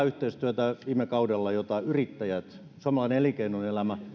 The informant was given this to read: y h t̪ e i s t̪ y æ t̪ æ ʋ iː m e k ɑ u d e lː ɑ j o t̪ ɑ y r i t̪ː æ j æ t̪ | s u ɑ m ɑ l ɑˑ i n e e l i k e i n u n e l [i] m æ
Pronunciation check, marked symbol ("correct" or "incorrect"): incorrect